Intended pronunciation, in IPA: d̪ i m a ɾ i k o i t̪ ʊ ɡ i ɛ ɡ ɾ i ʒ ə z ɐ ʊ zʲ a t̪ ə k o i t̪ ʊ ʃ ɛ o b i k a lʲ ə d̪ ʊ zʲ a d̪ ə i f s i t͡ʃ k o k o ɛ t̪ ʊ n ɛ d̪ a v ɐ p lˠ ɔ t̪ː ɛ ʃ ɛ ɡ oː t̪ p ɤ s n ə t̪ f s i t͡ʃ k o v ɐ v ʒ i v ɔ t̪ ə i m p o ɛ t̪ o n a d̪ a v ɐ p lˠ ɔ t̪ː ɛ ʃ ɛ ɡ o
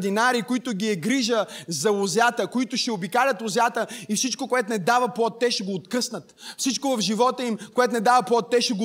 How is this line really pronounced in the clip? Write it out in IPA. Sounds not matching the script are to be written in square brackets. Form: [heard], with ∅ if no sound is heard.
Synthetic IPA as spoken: d̪ i [n] a ɾ i k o i t̪ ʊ ɡ i ɛ ɡ ɾ i ʒ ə z ɐ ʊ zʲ a t̪ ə k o i t̪ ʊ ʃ ɛ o b i k a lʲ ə [t̪] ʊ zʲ a [t̪] ə i f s i t͡ʃ k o k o ɛ t̪ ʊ n ɛ d̪ a v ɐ p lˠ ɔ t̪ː ɛ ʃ ɛ ɡ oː t̪ [k] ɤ s n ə t̪ f s i t͡ʃ k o v ɐ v ʒ i v ɔ t̪ ə i m [k] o ɛ t̪ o n [ɛ] d̪ a v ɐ p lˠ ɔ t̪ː ɛ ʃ ɛ ɡ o